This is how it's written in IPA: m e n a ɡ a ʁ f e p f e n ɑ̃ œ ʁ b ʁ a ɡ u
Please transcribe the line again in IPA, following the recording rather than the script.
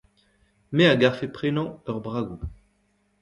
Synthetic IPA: m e a ɡ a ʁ f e p χ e n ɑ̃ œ ʁ b ʁ a ɡ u